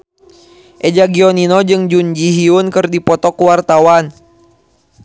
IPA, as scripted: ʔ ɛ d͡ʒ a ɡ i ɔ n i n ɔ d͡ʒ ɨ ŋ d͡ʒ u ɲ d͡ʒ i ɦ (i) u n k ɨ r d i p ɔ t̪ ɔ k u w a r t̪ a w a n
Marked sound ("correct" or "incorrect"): correct